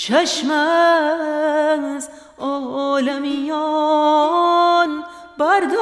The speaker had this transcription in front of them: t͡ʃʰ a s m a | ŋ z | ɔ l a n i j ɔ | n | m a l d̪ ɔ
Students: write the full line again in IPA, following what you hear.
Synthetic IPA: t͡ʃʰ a ʃ m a | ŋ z | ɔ l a m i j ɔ | n | b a ɾ d̪ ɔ